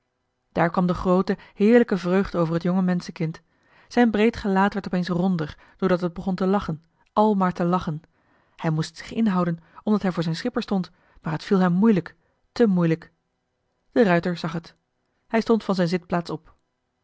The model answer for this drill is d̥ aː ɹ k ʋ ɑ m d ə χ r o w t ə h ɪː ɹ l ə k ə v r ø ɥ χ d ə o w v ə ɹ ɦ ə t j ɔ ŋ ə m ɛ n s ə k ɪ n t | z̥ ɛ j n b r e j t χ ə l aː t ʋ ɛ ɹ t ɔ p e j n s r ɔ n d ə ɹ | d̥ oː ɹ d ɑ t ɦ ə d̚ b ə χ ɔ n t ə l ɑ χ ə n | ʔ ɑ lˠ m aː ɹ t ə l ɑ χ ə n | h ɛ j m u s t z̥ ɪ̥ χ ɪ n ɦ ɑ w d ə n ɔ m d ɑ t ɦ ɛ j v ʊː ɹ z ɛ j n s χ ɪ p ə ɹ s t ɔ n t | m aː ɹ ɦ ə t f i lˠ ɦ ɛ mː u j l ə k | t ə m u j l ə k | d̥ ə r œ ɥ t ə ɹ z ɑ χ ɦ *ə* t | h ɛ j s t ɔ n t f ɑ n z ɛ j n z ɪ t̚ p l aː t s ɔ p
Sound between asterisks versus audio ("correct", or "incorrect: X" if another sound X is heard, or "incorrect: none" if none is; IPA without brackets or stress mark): correct